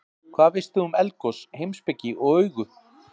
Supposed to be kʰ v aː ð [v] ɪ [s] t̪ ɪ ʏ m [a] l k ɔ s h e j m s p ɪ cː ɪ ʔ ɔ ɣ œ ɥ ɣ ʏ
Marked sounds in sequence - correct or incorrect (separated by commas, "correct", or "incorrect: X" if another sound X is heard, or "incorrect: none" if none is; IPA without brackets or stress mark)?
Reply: correct, correct, incorrect: ɛ